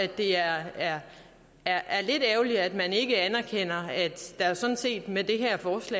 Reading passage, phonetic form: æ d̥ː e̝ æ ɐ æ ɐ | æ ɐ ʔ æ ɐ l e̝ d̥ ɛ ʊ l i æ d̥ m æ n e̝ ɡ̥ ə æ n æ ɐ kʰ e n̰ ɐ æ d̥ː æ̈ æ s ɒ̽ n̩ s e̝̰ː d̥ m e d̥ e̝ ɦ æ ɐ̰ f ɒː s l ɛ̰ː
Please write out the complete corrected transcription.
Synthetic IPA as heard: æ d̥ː e̝ æ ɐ æ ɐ | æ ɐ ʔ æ ɐ l e̝ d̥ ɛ ʊ l i æ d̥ m æ n e̝ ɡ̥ ə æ n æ ɐ kʰ e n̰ ɐ æ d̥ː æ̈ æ s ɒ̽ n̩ s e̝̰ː d̥ m e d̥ e̝ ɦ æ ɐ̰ f ɒː s l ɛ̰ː